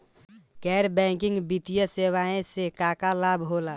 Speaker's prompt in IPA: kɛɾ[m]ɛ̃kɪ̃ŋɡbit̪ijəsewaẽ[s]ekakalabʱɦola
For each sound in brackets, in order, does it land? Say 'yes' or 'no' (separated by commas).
no, yes